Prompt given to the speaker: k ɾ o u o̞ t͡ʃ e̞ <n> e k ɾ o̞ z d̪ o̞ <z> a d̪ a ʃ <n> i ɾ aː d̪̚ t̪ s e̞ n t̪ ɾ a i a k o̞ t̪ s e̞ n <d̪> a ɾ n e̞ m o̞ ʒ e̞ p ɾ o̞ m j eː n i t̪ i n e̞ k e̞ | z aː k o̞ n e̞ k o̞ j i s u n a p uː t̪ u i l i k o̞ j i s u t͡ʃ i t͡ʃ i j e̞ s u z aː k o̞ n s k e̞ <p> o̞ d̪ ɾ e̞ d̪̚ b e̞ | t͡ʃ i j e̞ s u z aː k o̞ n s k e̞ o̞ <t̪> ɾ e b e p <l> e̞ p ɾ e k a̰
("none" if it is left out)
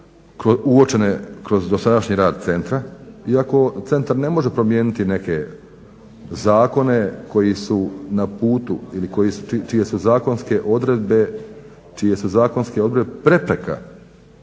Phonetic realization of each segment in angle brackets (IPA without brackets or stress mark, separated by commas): n, s, ɲ, t̪, ʔ, d̪, ɾ